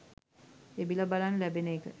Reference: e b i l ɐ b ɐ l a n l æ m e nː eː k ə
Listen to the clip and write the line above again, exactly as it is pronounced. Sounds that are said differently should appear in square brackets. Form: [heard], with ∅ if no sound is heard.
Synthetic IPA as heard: e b i l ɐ b [a] l a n l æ [b] e [n] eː k ə